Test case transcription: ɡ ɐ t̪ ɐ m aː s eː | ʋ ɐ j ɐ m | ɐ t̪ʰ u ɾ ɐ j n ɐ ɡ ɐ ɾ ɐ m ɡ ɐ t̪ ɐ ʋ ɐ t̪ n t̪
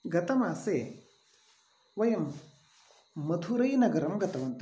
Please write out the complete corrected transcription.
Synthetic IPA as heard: ɡ ɐ t̪ ɐ m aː s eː | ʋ ɐ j ɐ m | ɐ t̪ʰ u ɾ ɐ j n ɐ ɡ ɐ ɾ ɐ m ɡ ɐ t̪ ɐ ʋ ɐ n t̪